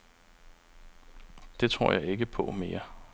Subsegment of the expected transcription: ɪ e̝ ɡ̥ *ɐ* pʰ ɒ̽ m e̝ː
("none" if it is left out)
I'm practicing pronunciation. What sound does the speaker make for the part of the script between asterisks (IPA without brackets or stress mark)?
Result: ə